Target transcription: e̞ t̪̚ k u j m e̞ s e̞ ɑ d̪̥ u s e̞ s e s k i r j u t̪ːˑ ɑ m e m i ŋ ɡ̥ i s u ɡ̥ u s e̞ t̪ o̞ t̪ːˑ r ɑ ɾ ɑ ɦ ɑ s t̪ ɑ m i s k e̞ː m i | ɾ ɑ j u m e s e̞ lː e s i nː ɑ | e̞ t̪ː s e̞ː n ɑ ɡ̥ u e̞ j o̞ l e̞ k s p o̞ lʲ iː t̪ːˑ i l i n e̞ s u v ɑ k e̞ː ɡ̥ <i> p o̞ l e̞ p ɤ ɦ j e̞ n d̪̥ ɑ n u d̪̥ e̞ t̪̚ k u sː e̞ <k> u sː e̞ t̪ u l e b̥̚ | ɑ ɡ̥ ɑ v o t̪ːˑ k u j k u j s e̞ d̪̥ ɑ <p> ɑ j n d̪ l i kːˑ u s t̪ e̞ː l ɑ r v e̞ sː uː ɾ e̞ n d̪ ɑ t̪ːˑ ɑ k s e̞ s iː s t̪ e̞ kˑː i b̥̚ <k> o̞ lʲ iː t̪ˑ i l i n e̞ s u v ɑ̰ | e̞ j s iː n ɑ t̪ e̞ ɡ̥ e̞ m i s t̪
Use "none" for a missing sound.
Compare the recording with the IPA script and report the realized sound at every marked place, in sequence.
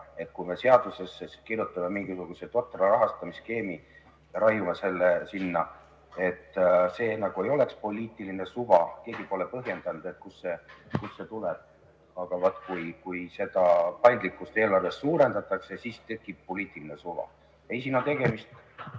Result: i, k, p, p

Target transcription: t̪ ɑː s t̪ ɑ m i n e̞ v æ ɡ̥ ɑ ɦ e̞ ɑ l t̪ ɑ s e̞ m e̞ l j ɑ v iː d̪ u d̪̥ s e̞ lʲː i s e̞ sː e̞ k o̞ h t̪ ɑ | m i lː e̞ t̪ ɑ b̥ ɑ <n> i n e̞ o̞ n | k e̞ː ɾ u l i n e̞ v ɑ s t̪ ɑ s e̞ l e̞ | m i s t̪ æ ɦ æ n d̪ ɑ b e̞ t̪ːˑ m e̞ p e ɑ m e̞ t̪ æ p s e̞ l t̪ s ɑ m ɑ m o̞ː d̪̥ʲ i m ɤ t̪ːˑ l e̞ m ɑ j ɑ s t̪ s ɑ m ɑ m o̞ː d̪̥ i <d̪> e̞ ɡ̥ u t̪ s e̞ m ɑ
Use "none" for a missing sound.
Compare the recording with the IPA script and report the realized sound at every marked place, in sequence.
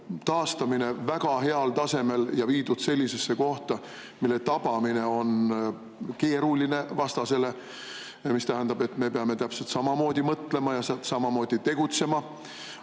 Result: m, t̪

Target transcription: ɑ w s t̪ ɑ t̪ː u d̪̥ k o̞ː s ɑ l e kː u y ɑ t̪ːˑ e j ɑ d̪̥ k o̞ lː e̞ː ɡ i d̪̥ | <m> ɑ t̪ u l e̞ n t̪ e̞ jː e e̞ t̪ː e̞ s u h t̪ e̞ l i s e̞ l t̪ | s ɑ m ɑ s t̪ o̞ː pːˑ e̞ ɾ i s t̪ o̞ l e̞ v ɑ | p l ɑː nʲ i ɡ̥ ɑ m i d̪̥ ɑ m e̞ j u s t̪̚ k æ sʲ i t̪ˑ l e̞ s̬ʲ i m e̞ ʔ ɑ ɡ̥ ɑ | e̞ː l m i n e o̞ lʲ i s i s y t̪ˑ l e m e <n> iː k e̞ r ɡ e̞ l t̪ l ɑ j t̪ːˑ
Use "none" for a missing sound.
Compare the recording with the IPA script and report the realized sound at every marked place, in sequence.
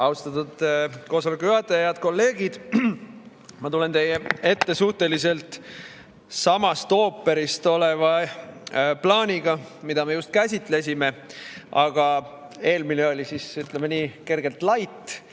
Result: m, n

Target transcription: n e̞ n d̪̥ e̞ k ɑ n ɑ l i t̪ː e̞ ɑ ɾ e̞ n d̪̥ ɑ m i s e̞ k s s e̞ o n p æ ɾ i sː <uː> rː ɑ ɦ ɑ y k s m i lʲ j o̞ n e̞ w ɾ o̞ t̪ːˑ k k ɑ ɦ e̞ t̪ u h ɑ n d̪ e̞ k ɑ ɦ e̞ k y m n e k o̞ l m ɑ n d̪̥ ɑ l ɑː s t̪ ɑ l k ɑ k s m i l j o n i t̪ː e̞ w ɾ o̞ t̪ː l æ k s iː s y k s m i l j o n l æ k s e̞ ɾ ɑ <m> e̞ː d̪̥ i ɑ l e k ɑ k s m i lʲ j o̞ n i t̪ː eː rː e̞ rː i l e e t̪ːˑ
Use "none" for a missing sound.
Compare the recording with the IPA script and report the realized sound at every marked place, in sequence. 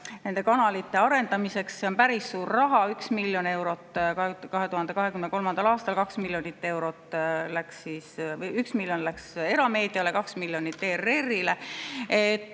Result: uː, m

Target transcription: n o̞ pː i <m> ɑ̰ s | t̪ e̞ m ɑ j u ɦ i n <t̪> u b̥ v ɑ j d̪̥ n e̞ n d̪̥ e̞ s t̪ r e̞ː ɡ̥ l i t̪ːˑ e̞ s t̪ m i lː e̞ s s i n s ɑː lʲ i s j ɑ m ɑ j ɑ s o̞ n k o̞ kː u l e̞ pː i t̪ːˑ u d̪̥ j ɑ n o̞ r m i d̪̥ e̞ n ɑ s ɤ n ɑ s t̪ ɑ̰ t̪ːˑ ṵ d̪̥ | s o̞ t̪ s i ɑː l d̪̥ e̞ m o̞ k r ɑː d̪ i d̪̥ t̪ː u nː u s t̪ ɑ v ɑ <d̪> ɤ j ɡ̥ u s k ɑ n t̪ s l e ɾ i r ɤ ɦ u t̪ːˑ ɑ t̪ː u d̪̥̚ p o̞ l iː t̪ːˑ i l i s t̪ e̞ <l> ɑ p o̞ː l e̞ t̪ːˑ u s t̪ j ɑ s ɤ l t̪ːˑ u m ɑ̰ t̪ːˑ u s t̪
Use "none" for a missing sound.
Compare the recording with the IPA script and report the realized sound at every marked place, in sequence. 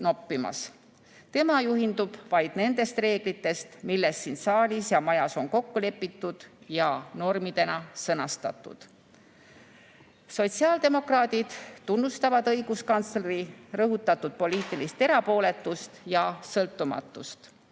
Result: m, d̪, d̪, ɾ

